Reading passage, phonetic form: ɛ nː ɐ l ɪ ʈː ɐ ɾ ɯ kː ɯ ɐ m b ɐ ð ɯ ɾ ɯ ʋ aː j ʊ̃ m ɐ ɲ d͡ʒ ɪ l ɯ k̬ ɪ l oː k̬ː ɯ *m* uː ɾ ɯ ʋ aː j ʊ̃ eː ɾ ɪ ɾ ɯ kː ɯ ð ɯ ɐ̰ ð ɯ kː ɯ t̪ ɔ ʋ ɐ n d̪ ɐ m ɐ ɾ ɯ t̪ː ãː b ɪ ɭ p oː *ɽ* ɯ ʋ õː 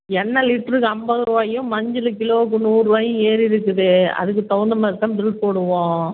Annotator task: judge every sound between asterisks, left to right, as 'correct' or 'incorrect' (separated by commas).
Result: incorrect, correct